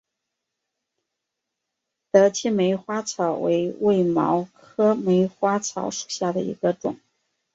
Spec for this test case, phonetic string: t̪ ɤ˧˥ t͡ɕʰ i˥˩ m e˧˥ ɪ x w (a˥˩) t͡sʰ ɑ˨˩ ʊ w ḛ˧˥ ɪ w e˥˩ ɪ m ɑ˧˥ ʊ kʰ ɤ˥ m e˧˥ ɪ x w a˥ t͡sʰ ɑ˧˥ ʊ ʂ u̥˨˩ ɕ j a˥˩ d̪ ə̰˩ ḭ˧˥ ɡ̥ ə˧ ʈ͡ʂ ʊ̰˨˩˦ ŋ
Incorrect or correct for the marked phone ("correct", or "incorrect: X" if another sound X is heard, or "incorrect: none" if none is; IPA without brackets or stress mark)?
incorrect: a˥